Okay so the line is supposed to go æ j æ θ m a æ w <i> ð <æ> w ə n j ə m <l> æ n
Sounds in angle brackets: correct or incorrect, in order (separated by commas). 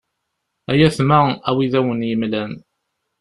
correct, correct, correct